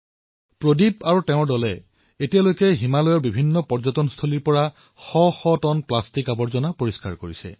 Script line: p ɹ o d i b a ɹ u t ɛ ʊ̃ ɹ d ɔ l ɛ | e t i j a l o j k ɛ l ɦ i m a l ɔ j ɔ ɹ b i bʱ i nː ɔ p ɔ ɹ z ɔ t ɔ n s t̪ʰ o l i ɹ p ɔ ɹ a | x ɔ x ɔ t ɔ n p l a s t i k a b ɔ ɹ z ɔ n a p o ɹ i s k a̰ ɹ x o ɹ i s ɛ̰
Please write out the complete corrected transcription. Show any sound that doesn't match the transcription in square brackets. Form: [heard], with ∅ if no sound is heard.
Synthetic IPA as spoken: p ɹ o d i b a ɹ u t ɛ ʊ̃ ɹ d ɔ l ɛ | e t i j a l o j k ɛ [∅] ɦ i m a l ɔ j ɔ ɹ b i bʱ i nː ɔ p ɔ ɹ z ɔ t ɔ n s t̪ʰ o l i ɹ p ɔ ɹ a | x ɔ x ɔ t ɔ n p l a s t i k a b ɔ ɹ z ɔ n a p o ɹ i s k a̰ ɹ [k] o ɹ i s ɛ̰